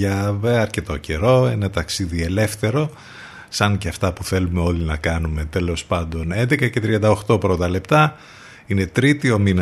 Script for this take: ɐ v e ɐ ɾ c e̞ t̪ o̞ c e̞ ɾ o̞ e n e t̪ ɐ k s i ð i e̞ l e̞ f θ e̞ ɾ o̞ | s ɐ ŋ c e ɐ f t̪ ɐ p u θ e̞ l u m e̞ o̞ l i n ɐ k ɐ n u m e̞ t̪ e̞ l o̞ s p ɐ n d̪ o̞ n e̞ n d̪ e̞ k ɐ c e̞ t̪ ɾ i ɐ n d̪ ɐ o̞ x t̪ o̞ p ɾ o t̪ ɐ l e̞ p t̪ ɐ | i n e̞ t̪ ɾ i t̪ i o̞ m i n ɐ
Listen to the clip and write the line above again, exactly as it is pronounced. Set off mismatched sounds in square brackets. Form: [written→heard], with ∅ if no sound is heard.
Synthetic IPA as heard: ɐ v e ɐ ɾ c e̞ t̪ o̞ c e̞ ɾ o̞ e n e t̪ ɐ k s i ð i e̞ l e̞ f θ e̞ ɾ o̞ | s ɐ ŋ c e ɐ f t̪ ɐ p u θ e̞ l u m e̞ o̞ l i n ɐ k ɐ n u m e̞ t̪ e̞ l o̞ s p ɐ n d̪ o̞ n e̞ n d̪ e̞ k ɐ c e̞ t̪ ɾ i ɐ n d̪ ɐ o̞ x t̪ o̞ p ɾ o t̪ ɐ l e̞ p t̪ ɐ | i n e̞ t̪ ɾ i t̪ i o̞ m i n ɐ